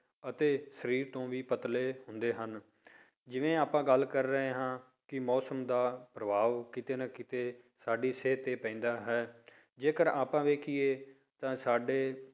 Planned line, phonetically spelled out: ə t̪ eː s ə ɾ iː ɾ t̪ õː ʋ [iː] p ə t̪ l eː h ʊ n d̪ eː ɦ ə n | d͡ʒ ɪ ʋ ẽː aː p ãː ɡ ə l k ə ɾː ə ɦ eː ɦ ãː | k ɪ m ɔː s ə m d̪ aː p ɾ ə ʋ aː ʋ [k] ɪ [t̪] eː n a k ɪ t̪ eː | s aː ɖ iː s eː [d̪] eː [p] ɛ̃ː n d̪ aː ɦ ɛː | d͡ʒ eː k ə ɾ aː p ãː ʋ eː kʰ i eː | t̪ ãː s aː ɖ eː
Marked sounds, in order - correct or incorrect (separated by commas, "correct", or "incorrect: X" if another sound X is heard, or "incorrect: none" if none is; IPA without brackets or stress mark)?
correct, correct, correct, incorrect: t̪, correct